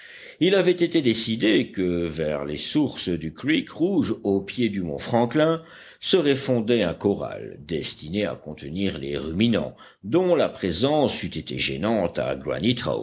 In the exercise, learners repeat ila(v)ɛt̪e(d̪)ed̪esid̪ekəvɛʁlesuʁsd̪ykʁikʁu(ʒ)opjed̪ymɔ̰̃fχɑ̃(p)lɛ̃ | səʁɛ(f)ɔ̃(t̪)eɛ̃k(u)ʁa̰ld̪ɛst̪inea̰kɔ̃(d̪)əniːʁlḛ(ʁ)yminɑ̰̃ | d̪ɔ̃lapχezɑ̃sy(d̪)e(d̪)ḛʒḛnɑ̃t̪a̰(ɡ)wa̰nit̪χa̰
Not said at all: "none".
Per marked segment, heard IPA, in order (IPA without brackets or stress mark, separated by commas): v, t̪, ʒ, k, f, d̪, ɔ, t̪, ʁ, t̪, t̪, ɡ